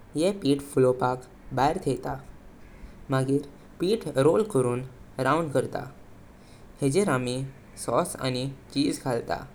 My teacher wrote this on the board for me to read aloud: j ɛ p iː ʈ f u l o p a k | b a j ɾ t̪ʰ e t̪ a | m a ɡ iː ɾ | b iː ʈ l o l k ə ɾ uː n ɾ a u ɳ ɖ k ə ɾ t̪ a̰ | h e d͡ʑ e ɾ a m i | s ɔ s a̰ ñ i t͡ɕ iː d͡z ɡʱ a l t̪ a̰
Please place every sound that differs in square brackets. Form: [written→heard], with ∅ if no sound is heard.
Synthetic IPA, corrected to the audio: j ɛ p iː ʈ f u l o p a k | b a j ɾ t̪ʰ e t̪ a | m a ɡ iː ɾ | [b→p] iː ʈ [l→ɾ] o l k ə ɾ uː n ɾ a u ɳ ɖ k ə ɾ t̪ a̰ | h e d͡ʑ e ɾ a m i | s ɔ s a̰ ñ i t͡ɕ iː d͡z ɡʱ a l t̪ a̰

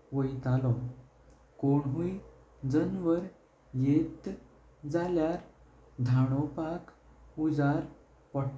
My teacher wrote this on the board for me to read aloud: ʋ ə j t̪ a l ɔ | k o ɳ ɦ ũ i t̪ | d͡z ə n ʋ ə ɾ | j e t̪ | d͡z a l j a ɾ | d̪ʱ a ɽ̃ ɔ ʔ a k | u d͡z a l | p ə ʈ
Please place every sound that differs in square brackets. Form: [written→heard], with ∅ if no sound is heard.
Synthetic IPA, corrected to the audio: ʋ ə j t̪ a l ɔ | k o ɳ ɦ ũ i [t̪→∅] | d͡z ə n ʋ ə ɾ | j e t̪ | d͡z a l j a ɾ | d̪ʱ a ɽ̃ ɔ [ʔ→p] a k | u d͡z a [l→ɾ] | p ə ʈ

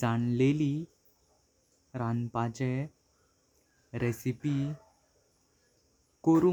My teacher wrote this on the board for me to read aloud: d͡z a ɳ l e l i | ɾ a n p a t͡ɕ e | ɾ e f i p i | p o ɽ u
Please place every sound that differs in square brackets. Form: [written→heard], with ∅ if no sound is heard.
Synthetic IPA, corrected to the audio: d͡z a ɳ l e l i | ɾ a n p a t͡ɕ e | ɾ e [f→s] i p i | [p→k] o [ɽ→ɾ] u

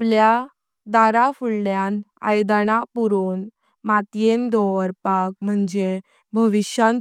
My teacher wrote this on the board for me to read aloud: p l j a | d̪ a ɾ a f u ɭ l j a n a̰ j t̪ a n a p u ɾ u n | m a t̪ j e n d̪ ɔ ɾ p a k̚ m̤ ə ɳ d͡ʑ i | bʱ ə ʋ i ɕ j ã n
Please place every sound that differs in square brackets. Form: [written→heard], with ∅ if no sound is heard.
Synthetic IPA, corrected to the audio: p l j a | d̪ a ɾ a f u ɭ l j a n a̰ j [t̪→d̪] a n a p u ɾ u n | m a t̪ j e n d̪ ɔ ɾ p a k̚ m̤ ə ɳ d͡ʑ [i→e] | bʱ ə ʋ i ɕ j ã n

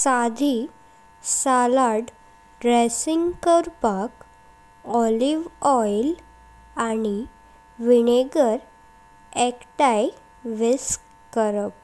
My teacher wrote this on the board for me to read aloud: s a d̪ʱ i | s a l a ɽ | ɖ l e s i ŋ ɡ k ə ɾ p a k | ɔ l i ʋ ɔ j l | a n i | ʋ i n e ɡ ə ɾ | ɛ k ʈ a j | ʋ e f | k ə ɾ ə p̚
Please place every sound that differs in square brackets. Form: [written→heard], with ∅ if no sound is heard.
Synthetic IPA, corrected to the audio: s a d̪ʱ i | s a l a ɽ | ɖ [l→ɾ] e s i ŋ ɡ k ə ɾ p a k | ɔ l i ʋ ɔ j l | a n i | ʋ i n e ɡ ə ɾ | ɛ k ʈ a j | ʋ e [f→s] | k ə ɾ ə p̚

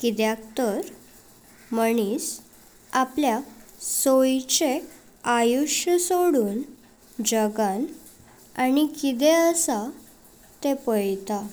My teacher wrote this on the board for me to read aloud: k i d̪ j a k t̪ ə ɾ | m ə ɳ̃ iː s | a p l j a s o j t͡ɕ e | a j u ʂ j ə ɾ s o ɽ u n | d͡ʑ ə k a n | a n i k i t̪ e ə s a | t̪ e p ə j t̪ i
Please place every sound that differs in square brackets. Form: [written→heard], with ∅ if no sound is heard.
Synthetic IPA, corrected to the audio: k i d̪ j a k t̪ ə ɾ | m ə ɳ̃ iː s | a p l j a s o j t͡ɕ e | a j u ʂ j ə [ɾ→∅] s o ɽ [u→uː] n | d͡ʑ ə [k→ɡ] a n | a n i k i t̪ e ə s a | t̪ e p ə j t̪ [i→a]

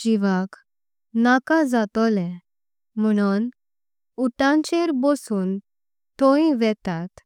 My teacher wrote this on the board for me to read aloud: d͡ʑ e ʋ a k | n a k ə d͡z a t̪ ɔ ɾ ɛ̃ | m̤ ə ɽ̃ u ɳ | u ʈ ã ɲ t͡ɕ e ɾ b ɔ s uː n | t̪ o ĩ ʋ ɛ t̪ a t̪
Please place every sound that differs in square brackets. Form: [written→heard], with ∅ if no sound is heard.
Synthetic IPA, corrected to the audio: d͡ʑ [e→i] ʋ a k | n a k [ə→a] d͡z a t̪ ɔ [ɾ→l] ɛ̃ | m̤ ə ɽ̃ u [ɳ→n] | u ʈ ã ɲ t͡ɕ e ɾ b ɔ s uː n | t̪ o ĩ ʋ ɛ t̪ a t̪

